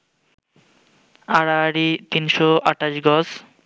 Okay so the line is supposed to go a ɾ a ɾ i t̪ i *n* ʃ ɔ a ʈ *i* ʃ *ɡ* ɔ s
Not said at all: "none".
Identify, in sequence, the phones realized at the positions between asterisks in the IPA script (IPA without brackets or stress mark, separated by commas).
n, a, ɡ